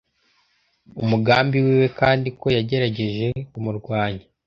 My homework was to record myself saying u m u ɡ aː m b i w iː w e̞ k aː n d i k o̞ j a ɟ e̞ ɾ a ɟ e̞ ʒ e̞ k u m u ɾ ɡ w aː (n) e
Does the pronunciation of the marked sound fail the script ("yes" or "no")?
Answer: yes